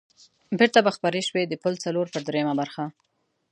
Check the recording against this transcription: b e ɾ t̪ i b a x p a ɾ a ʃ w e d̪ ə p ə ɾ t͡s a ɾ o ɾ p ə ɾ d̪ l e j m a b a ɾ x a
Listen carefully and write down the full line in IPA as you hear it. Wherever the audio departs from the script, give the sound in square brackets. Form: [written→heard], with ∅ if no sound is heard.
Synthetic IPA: b e ɾ t̪ [i→a] b a x p a ɾ [a→e] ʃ w e d̪ ə p ə [ɾ→l] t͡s a [ɾ→l] o ɾ p ə ɾ d̪ [l→ɾ] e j m a b a ɾ x a